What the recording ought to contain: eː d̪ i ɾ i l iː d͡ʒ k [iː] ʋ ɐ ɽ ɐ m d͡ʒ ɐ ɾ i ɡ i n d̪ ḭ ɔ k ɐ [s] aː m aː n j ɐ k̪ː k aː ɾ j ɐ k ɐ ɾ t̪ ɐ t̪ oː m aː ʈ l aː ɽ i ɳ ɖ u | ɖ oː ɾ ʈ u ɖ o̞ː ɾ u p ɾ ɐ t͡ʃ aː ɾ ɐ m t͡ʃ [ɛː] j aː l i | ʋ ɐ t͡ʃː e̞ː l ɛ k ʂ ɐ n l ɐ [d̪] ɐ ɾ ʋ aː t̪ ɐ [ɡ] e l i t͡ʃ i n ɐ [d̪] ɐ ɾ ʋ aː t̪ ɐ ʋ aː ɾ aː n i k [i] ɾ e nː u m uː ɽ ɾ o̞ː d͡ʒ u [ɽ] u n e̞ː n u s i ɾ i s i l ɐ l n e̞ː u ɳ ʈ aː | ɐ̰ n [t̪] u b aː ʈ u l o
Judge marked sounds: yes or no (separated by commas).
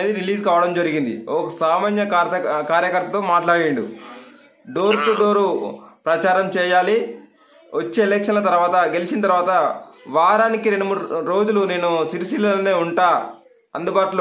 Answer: no, yes, yes, no, yes, no, yes, no, no